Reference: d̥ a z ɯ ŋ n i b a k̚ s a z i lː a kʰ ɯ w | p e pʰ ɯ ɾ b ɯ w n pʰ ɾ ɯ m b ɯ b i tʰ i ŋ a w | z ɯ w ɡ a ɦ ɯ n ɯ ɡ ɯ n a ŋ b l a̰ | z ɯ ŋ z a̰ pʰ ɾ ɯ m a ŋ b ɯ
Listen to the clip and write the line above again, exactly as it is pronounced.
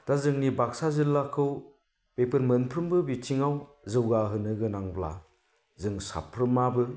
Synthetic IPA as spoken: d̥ a z ɯ ŋ n i b a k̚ s a z i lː a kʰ ɯ w | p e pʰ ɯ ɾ m ɯ n pʰ ɾ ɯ m b ɯ b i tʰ i ŋ a w | z ɯ w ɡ a ɦ ɯ n ɯ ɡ ɯ n a ŋ b l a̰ | z ɯ ŋ s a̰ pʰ ɾ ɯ m a b ɯ